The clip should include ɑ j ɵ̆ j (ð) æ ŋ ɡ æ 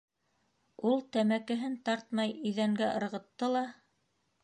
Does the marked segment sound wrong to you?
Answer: no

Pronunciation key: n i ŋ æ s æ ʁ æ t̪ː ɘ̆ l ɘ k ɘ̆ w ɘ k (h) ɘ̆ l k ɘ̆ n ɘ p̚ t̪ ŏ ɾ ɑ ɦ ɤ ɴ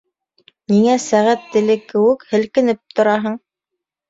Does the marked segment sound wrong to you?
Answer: no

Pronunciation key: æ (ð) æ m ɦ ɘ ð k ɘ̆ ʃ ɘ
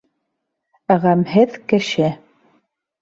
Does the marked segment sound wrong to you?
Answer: yes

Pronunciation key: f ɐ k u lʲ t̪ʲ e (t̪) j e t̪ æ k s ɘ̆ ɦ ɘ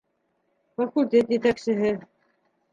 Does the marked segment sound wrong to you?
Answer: no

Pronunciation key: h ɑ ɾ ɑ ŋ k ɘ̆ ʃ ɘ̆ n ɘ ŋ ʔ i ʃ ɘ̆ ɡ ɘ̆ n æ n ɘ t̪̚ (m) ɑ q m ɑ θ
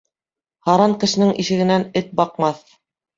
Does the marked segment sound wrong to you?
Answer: yes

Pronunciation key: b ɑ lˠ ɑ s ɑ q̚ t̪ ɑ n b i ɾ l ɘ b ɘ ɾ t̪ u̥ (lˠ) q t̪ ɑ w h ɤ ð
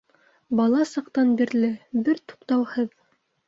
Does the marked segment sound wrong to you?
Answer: yes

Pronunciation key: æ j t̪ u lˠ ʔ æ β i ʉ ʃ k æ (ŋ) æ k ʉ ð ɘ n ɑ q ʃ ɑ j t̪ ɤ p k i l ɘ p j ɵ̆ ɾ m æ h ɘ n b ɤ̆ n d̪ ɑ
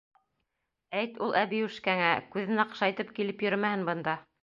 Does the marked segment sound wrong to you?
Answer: no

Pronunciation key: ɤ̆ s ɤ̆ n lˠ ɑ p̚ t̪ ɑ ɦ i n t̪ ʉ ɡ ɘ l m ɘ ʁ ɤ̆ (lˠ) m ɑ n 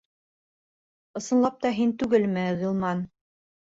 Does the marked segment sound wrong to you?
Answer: no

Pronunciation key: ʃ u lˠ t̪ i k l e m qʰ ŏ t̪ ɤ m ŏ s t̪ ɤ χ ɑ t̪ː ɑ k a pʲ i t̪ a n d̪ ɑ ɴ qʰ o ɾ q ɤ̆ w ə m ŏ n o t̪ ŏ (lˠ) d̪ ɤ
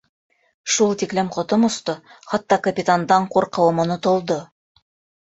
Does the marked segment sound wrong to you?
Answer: no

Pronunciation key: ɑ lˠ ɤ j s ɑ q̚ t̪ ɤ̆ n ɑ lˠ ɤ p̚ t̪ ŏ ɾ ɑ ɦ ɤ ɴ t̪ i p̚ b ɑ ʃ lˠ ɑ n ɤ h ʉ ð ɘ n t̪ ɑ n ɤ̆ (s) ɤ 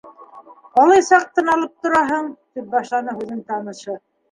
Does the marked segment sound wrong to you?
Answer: yes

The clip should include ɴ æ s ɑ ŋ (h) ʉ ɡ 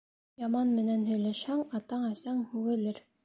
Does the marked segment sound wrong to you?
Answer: no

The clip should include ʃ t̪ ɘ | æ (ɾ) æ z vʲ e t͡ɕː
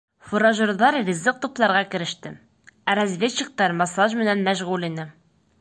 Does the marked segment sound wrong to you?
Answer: no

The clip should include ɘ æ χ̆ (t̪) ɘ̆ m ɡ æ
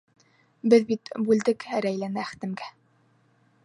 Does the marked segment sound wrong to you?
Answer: no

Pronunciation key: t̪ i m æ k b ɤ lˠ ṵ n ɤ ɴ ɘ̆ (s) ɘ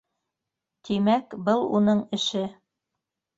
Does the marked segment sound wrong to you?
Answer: yes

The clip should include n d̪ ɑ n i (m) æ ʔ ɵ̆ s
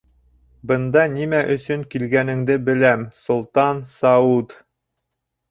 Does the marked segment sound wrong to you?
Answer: no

